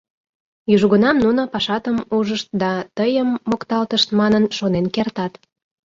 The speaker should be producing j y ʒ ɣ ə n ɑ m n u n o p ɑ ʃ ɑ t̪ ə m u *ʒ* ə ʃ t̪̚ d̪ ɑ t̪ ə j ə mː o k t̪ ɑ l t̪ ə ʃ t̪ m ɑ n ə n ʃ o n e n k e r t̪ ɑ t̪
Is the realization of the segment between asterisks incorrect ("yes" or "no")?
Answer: no